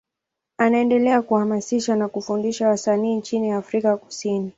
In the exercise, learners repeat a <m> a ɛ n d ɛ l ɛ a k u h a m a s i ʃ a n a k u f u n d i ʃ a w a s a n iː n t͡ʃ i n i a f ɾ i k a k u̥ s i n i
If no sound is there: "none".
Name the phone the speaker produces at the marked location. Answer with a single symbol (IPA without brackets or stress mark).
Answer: n